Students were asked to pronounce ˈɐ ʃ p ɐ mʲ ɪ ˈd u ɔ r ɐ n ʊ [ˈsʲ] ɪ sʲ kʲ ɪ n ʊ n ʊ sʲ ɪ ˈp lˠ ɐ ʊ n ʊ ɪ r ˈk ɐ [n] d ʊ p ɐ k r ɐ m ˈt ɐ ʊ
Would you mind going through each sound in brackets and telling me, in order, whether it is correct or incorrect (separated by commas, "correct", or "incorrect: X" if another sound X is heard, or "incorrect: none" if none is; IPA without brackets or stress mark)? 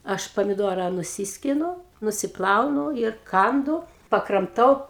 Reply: correct, correct